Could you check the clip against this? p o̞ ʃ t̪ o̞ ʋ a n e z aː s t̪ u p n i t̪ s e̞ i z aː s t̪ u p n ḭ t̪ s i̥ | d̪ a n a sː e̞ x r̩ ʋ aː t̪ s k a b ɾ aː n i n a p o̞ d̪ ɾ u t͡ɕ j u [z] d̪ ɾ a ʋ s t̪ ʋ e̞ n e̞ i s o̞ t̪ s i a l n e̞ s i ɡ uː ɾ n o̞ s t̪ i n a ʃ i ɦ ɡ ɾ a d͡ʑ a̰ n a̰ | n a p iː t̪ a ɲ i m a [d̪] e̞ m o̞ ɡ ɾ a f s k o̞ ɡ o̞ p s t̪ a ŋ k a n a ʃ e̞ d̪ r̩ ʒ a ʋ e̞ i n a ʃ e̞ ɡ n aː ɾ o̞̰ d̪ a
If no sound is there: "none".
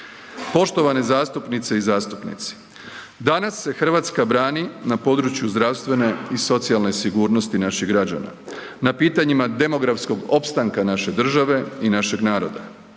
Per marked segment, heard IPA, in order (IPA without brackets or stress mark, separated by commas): z, d̪